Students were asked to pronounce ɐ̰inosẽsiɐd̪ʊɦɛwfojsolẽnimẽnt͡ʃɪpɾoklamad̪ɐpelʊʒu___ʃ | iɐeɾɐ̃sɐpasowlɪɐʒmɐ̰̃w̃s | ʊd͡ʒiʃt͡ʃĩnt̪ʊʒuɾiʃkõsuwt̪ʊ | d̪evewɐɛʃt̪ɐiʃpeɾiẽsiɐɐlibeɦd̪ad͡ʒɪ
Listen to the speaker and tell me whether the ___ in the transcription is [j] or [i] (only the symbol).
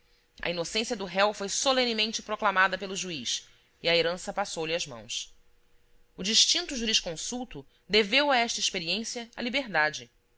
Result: i